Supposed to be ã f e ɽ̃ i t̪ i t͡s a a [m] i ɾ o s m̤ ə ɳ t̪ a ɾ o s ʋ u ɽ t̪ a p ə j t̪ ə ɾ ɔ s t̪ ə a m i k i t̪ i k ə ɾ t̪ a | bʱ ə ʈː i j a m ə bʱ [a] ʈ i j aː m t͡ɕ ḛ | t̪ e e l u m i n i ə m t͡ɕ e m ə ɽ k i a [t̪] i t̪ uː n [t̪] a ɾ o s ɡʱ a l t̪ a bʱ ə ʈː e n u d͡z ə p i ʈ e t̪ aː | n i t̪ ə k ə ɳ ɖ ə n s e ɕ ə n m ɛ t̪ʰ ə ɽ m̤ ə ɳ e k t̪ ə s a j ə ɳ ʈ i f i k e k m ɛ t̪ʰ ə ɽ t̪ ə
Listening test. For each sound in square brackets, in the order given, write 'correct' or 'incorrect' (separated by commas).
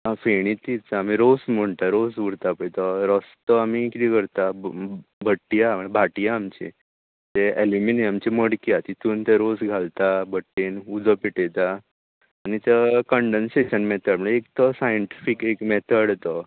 correct, correct, correct, correct